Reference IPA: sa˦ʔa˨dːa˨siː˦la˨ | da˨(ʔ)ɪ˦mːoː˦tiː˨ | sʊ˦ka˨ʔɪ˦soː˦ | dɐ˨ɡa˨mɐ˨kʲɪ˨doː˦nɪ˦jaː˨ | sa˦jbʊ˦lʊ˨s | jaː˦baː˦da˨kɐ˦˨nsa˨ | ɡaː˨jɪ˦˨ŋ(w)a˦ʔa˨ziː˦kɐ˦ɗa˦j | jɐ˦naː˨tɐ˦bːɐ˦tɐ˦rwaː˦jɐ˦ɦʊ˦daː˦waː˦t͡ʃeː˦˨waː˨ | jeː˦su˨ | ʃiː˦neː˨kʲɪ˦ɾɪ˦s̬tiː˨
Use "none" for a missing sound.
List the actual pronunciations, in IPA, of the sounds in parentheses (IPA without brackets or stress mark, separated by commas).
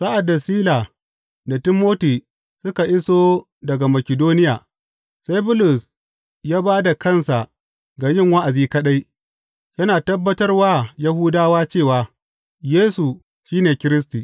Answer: t, w